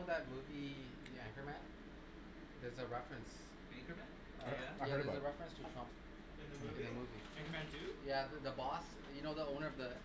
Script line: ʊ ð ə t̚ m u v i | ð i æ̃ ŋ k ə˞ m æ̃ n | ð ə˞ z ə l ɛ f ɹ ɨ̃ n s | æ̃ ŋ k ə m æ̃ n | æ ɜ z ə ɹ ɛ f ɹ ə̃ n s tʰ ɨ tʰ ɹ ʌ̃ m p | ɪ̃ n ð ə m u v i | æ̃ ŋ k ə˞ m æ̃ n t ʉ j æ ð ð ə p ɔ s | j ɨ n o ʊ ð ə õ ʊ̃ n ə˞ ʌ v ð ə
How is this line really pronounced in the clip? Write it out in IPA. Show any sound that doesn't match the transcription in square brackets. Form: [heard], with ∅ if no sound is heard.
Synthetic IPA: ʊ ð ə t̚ m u v i | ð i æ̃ ŋ k ə˞ m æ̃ n | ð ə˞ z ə [ɹ] ɛ f ɹ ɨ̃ n s | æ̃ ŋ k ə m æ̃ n | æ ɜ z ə ɹ ɛ f ɹ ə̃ n s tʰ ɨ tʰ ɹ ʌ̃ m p | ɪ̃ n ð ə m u v i | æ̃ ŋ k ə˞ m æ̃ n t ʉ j æ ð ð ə [b] ɔ s | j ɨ n o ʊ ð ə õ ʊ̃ n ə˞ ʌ v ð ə